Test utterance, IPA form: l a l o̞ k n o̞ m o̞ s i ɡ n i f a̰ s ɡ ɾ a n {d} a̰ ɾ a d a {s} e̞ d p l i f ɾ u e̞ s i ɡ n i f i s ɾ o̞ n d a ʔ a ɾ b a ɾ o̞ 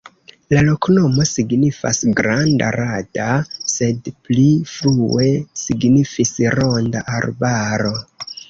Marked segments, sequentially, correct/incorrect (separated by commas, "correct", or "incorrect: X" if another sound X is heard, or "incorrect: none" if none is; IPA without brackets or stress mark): correct, correct